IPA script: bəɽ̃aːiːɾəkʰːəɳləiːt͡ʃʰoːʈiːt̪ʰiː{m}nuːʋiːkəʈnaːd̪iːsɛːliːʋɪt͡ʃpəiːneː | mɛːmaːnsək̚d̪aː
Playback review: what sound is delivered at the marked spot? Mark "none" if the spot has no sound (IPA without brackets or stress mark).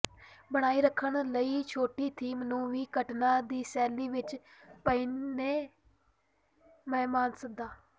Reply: m